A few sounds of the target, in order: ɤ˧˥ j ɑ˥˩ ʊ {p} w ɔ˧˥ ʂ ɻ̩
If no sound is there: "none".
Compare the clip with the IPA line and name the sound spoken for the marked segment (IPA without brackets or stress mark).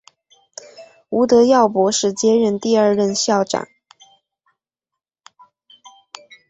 p